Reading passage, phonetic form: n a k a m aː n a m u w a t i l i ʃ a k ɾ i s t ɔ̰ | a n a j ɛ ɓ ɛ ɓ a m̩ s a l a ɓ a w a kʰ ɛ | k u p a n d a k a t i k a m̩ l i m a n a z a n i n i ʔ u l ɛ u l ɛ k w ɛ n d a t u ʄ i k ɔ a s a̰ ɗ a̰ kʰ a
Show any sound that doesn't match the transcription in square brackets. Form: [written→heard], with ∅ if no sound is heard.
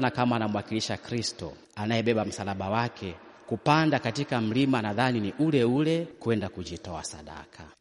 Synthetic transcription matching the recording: n a k a m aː n a m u w a [t→k] i l i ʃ a k ɾ i s t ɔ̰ | a n a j ɛ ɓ ɛ ɓ a m̩ s a l a ɓ a w a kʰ ɛ | k u p a n d a k a t i k a m̩ l i m a n a [z→ð] a n i n i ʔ u l ɛ u l ɛ k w ɛ n d a [t→k] u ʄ i [k→t] ɔ a s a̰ ɗ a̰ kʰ a